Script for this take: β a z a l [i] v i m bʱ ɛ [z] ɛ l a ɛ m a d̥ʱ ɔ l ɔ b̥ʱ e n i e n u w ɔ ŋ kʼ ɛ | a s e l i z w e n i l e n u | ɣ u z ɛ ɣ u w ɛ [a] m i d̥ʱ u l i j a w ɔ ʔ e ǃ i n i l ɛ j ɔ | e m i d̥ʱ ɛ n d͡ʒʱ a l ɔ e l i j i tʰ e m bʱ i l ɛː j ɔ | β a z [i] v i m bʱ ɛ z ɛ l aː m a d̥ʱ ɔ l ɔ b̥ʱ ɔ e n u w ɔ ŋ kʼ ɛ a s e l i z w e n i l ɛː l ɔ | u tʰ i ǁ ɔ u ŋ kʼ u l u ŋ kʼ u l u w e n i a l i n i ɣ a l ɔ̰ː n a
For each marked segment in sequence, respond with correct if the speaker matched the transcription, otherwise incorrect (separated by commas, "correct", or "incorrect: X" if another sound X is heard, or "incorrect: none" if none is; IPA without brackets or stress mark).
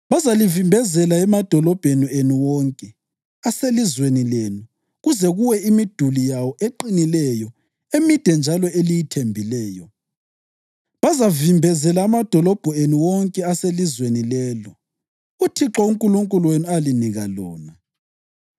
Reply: correct, correct, incorrect: i, incorrect: a